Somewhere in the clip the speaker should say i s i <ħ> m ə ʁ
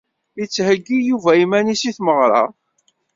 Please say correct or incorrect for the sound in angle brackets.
incorrect